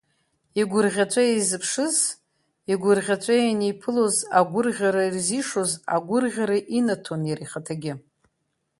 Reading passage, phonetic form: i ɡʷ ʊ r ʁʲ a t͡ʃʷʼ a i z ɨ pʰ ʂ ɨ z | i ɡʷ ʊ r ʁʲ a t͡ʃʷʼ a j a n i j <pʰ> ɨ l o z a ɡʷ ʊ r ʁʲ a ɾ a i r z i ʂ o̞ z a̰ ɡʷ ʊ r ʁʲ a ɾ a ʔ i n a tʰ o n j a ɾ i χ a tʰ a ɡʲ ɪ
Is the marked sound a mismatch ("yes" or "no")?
no